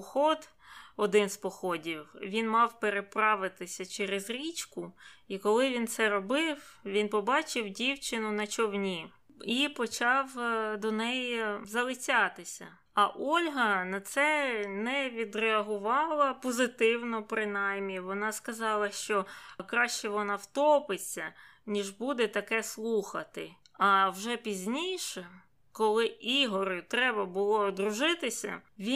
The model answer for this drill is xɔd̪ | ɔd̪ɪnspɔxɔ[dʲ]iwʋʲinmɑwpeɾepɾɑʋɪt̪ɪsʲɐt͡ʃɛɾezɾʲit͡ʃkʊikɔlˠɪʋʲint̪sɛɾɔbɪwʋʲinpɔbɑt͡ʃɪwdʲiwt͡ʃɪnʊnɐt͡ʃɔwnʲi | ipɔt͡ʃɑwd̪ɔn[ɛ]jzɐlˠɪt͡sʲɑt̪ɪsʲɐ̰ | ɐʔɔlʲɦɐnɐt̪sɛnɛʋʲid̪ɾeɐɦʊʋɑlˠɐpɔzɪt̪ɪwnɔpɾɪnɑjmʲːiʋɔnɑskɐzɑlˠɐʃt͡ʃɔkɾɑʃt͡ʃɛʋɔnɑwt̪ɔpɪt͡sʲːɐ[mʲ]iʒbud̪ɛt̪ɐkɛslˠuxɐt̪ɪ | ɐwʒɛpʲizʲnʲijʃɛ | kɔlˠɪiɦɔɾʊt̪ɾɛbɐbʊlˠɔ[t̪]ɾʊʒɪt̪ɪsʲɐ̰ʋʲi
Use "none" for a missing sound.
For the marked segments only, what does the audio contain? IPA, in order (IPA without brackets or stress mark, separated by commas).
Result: dʲ, ɛ, nʲ, d̪